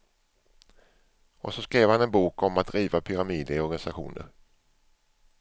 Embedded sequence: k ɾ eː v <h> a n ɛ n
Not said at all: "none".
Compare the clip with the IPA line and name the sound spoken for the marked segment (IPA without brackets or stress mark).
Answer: h